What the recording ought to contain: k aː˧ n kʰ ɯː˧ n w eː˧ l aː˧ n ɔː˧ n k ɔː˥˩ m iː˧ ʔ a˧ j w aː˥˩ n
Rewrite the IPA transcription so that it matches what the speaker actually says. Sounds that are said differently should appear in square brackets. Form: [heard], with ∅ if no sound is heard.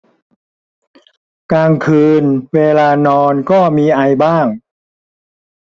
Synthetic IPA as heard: k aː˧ [ŋ] kʰ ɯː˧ n w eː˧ l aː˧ n ɔː˧ n k ɔː˥˩ m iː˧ ʔ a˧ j [b] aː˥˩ [ŋ]